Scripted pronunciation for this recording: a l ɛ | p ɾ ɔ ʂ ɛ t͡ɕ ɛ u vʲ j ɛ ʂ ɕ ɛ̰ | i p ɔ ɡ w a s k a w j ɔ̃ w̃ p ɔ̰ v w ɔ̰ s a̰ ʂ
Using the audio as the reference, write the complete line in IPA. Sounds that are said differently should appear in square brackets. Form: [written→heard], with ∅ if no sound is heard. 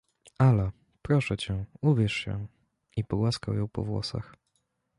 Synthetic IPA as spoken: a l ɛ | p ɾ ɔ ʂ ɛ t͡ɕ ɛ u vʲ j ɛ ʂ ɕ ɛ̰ | i p ɔ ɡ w a s k a w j ɔ̃ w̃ p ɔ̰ v w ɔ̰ s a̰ [ʂ→x]